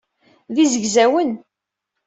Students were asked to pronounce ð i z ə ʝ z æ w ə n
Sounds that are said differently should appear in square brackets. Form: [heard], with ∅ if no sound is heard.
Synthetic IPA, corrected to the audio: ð i z ə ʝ z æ w ə n